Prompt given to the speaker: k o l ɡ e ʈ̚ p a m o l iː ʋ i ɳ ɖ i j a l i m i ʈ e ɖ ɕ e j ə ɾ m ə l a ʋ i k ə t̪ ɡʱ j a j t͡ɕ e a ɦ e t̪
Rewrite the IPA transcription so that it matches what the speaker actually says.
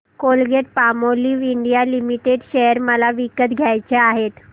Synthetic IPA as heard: k o l ɡ e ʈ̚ p a m o l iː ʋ i ɳ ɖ i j a l i m i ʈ e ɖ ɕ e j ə ɾ m ə l a ʋ i k ə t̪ ɡʱ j a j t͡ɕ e a ɦ e t̪